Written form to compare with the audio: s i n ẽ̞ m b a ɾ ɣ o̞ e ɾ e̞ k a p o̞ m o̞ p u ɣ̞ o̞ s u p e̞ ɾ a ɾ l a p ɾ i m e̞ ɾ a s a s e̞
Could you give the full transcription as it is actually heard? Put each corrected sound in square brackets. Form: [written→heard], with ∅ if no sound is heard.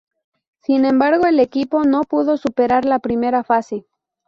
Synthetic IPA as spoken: s i n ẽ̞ m b a ɾ ɣ o̞ e [ɾ→l] e̞ k [a→i] p o̞ [m→n] o̞ p u [ɣ̞→ð̞] o̞ s u p e̞ ɾ a ɾ l a p ɾ i m e̞ ɾ a [s→f] a s e̞